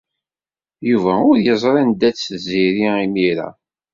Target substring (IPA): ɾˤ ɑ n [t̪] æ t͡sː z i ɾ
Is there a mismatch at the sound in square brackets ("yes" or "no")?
yes